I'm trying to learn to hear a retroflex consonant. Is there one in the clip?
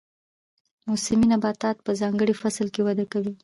yes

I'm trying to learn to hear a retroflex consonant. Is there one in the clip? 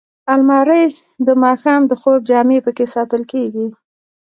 no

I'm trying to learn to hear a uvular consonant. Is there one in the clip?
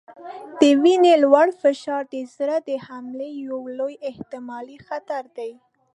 no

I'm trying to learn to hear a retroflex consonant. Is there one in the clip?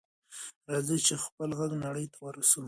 yes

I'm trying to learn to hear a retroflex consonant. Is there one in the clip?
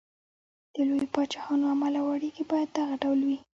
yes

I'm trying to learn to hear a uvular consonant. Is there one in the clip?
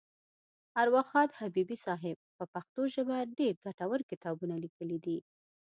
no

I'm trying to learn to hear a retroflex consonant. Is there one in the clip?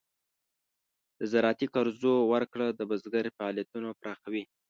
yes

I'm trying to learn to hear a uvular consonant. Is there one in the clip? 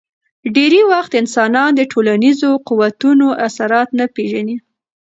yes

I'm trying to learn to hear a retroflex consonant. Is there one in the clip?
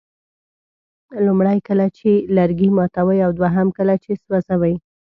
yes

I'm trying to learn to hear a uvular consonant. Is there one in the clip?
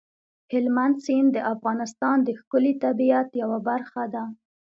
no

